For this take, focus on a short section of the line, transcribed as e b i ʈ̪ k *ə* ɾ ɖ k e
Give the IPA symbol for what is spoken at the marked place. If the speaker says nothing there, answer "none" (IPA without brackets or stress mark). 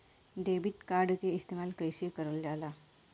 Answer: a